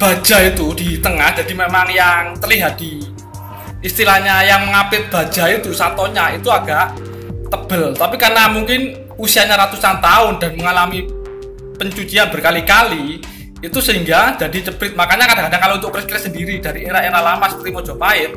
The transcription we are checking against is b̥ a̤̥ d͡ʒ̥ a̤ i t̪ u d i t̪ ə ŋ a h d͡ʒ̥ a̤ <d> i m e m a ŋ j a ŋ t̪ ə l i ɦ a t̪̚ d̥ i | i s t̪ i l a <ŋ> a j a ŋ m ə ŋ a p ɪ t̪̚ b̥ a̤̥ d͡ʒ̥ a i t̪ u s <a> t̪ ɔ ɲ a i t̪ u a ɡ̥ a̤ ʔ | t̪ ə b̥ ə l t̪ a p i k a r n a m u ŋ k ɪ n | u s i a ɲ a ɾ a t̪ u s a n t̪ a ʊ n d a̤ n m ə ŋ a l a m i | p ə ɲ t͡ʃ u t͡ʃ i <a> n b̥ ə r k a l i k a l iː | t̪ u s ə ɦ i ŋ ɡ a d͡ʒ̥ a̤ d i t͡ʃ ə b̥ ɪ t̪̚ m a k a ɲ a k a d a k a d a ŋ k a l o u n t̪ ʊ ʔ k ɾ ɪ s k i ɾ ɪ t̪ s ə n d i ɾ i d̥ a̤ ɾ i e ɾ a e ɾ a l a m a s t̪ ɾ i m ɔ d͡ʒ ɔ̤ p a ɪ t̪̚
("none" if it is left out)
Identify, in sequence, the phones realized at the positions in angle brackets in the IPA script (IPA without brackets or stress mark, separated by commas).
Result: d, ɲ, a, a